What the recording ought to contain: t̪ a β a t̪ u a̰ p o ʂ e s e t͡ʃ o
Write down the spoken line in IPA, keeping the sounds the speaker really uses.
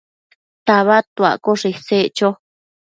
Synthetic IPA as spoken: t̪ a β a t̪ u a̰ k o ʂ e s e t͡ʃ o